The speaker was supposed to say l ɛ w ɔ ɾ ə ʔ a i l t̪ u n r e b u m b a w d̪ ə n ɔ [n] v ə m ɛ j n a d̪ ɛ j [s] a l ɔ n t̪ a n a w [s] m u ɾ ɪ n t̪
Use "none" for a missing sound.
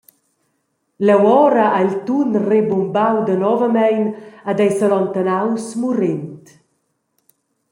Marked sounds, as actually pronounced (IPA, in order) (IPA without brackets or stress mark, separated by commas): none, s, s